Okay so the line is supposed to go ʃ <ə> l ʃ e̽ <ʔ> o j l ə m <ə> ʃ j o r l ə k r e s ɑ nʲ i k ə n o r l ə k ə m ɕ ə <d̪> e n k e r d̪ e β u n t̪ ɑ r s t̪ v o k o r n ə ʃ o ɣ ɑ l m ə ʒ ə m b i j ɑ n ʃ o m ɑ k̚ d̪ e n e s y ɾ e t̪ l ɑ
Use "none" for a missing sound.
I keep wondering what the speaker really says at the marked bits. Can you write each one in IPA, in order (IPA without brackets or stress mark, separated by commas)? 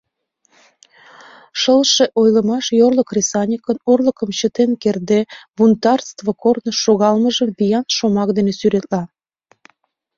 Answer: ə, ʔ, ɑ, t̪